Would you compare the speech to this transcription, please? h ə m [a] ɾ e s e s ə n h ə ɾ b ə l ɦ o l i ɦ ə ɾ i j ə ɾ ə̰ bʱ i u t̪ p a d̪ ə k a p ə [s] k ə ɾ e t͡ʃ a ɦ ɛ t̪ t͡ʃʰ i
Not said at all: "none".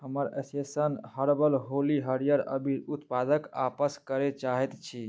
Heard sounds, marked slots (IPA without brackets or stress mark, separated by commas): ə, s